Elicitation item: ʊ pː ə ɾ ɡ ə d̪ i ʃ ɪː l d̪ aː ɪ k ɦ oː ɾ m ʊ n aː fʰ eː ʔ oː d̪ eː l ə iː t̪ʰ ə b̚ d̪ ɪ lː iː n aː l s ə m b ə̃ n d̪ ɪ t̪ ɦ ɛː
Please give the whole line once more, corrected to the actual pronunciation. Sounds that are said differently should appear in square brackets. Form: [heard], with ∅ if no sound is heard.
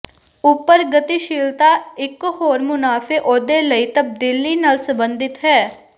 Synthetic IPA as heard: ʊ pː ə ɾ ɡ ə [t̪] i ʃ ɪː l [t̪] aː ɪ k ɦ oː ɾ m ʊ n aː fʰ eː ʔ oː d̪ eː l ə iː [t̪] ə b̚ d̪ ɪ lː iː n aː l s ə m b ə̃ n d̪ ɪ t̪ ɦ ɛː